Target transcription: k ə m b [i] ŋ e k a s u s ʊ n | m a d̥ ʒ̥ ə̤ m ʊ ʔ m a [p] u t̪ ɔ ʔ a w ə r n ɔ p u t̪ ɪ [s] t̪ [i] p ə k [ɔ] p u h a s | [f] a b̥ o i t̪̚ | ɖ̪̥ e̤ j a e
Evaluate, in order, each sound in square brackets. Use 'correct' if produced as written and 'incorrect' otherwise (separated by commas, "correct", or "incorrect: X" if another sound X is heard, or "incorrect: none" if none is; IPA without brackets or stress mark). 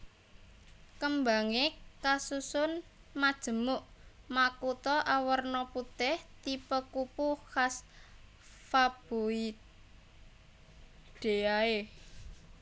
incorrect: a, incorrect: k, incorrect: h, correct, incorrect: u, correct